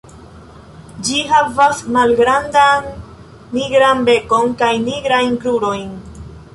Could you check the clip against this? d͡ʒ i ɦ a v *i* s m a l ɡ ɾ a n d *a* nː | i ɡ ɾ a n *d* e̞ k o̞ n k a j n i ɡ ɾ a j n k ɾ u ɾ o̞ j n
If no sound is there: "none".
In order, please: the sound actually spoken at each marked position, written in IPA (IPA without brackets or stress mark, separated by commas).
a, a, b